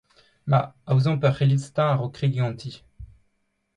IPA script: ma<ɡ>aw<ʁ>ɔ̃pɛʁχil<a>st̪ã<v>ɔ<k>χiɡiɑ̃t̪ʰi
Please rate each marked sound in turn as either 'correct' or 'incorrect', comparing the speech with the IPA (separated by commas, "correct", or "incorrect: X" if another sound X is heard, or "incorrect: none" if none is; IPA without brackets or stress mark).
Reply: incorrect: none, incorrect: z, incorrect: i, incorrect: ʁ, correct